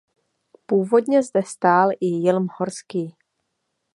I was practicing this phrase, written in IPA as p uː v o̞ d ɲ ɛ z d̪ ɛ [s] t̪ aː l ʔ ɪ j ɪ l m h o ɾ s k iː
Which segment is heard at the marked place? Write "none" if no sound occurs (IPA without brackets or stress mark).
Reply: s